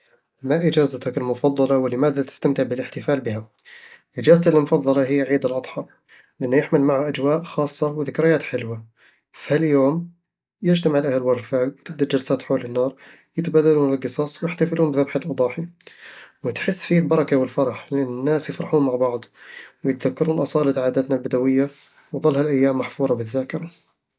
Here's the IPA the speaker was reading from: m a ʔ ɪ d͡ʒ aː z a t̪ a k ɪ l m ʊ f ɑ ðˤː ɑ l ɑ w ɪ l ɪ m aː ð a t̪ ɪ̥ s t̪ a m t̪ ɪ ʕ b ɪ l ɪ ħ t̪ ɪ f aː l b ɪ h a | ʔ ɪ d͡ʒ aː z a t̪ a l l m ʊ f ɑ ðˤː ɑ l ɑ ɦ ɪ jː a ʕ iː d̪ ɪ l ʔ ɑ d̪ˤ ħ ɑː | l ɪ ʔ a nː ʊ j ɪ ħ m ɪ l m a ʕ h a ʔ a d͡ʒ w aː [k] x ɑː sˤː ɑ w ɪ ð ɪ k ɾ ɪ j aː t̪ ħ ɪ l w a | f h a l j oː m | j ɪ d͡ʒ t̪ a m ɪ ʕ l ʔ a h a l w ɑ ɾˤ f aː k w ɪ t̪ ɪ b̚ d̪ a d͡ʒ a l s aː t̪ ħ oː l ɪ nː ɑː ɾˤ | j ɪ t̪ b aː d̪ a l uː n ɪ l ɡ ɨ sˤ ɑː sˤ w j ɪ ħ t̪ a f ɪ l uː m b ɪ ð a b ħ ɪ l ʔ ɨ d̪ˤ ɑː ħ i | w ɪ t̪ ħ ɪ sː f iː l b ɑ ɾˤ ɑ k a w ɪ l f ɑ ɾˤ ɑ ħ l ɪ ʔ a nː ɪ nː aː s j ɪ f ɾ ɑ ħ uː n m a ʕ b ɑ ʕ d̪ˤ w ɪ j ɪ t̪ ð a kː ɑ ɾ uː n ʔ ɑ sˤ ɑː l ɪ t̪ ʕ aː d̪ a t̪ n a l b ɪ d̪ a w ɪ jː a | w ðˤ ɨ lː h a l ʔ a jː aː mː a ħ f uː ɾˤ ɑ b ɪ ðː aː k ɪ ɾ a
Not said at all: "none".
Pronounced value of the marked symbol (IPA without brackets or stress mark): ʔ